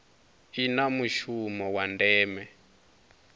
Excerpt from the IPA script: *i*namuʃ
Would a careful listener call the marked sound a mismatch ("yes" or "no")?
no